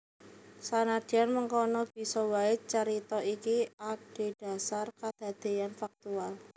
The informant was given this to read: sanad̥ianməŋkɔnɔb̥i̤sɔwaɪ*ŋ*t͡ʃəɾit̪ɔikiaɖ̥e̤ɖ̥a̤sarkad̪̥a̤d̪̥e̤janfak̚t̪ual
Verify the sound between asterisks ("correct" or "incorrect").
incorrect